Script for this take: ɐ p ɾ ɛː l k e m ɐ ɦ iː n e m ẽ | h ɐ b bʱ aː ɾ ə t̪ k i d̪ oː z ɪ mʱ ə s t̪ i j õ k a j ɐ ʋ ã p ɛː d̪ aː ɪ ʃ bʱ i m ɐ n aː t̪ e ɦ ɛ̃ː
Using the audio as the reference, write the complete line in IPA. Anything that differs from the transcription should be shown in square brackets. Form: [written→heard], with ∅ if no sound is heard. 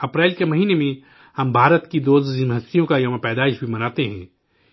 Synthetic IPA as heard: ɐ p ɾ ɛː l k e m ɐ ɦ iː n e m ẽ | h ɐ [b→m] bʱ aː ɾ ə t̪ k i d̪ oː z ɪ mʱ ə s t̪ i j õ k a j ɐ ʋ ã p ɛː d̪ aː ɪ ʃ bʱ i m ɐ n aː t̪ e ɦ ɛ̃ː